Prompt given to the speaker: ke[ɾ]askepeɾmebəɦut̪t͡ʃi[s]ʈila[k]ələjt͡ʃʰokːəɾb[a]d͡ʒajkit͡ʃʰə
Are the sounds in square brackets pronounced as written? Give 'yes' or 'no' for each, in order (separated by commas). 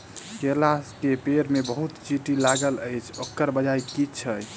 no, no, no, no